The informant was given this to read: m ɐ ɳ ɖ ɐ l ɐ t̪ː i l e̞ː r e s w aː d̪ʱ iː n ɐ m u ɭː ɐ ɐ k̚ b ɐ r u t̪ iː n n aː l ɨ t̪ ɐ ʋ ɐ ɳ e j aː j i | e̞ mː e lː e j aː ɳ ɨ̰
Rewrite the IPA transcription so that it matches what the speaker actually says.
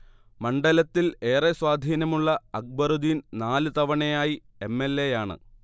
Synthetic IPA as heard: m ɐ ɳ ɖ ɐ l ɐ t̪ː i l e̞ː r e s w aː d̪ʱ iː n ɐ m u ɭː ɐ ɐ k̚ b ɐ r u d̪ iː n n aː l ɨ t̪ ɐ ʋ ɐ ɳ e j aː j i | e̞ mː e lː e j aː ɳ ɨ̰

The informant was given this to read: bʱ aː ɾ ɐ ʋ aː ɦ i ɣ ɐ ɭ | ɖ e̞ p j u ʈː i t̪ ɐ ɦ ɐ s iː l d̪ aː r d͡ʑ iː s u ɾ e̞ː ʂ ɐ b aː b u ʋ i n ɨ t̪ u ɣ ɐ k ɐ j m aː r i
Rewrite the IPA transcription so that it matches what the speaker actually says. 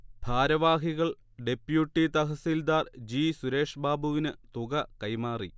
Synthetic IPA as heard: bʱ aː ɾ ɐ ʋ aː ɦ i ɣ ɐ ɭ | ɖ e̞ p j u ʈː i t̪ ɐ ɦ ɐ s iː l d̪ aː r d͡ʑ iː s u ɾ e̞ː ʂ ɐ b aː b u ʋ i n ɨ t̪ u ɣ ɐ k ɐ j m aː r i

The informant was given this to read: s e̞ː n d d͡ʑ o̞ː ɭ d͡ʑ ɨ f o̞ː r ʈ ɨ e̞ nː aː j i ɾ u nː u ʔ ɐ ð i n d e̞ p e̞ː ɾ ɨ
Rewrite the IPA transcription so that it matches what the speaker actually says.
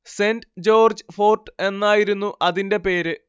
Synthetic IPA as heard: s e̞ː n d d͡ʑ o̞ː r d͡ʑ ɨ f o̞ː r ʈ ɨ e̞ nː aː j i ɾ u nː u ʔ ɐ ð i n d e̞ p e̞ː ɾ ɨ

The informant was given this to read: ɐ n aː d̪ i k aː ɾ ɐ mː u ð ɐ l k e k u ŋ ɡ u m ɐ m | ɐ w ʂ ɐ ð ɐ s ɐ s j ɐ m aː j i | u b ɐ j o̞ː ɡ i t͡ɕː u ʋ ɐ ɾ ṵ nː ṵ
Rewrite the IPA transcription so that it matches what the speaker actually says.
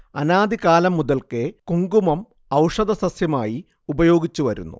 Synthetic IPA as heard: ɐ n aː d̪ i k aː l ɐ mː u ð ɐ l k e k u ŋ ɡ u m ɐ m | ɐ w ʂ ɐ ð ɐ s ɐ s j ɐ m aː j i | u b ɐ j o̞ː ɡ i t͡ɕː u ʋ ɐ ɾ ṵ nː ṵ

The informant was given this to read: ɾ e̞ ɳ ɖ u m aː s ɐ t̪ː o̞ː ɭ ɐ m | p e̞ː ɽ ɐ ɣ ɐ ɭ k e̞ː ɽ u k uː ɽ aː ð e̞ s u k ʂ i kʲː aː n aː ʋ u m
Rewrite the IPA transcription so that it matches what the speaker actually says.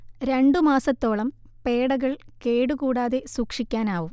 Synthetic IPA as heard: ɾ e̞ ɳ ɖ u m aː s ɐ t̪ː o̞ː ɭ ɐ m | p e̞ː ɽ ɐ ɣ ɐ ɭ k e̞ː ɽ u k uː ɽ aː ð e̞ s uː k ʂ i kʲː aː n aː ʋ u m

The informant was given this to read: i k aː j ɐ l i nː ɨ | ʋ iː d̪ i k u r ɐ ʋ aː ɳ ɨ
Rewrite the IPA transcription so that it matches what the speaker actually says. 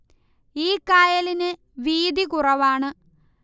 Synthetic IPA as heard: iː k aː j ɐ l i n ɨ | ʋ iː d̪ i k u r ɐ ʋ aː ɳ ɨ

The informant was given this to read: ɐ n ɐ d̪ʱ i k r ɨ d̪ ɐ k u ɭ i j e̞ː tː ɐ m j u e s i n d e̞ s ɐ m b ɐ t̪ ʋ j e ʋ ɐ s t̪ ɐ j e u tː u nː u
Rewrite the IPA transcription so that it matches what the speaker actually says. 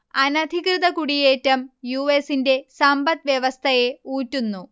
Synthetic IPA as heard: ɐ n ɐ d̪ʱ i k r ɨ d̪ ɐ k u ɽ i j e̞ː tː ɐ m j u e s i n d e̞ s ɐ m b ɐ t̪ ʋ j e ʋ ɐ s t̪ʰ ɐ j e uː tː u nː u

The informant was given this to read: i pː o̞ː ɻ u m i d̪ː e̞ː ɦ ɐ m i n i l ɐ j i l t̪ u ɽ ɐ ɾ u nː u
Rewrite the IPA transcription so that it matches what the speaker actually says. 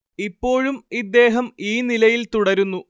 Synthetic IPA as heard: i pː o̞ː ɻ u m i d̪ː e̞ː ɦ ɐ m iː n i l ɐ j i l t̪ u ɽ ɐ ɾ u nː u

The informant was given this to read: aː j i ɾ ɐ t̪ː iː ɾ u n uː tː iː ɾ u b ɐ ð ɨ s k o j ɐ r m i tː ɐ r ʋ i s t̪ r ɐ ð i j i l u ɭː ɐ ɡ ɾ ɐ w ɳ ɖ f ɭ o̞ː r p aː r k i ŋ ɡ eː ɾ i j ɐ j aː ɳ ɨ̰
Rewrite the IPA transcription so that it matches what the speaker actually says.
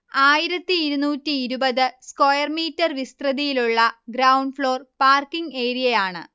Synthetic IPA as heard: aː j i ɾ ɐ t̪ː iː ɾ u n uː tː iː ɾ u b ɐ ð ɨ s k o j ɐ r m iː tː ɐ r ʋ i s t̪ r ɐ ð i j i l u ɭː ɐ ɡ ɾ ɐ w ɳ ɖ f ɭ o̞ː r p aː r k i ŋ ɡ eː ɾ i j ɐ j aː ɳ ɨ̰

